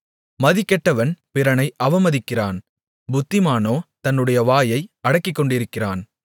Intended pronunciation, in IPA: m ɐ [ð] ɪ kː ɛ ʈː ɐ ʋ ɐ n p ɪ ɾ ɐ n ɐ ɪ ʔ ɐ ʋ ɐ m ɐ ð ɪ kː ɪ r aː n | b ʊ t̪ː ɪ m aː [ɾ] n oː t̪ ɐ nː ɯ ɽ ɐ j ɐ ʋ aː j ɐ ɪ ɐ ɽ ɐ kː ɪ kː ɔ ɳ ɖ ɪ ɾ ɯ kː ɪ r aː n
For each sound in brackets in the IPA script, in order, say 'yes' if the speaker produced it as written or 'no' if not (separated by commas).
yes, no